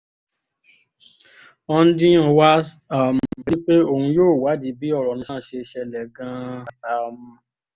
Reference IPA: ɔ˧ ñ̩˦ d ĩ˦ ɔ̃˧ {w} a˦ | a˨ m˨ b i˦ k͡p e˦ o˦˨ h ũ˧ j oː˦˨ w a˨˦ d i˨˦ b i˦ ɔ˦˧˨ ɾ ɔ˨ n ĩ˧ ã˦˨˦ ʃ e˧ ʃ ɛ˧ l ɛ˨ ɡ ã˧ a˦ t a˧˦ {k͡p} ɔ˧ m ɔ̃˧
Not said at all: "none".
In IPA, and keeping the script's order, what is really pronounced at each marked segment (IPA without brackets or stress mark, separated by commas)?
w, none